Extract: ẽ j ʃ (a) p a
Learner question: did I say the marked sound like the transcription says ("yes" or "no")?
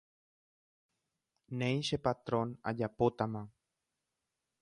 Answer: no